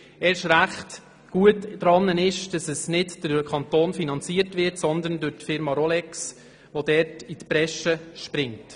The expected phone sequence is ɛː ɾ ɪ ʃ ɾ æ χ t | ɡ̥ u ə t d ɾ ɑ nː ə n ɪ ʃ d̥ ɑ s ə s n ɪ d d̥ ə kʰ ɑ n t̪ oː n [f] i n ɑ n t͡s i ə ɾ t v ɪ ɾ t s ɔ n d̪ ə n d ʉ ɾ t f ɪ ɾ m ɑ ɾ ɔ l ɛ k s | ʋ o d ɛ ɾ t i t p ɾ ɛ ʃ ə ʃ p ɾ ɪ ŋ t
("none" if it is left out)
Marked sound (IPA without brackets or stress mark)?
f